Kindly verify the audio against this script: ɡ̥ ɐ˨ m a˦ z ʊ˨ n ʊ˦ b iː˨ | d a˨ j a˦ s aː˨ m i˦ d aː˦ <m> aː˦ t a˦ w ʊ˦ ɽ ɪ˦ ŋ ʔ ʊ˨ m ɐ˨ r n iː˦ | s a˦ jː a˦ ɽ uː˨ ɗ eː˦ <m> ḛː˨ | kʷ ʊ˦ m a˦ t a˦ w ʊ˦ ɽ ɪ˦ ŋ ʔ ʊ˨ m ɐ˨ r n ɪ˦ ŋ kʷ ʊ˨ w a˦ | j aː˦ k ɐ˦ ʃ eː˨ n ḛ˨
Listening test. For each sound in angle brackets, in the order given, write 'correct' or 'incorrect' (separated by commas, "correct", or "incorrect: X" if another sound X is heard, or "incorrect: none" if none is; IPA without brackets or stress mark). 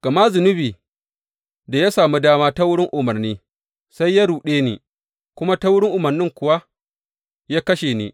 correct, incorrect: n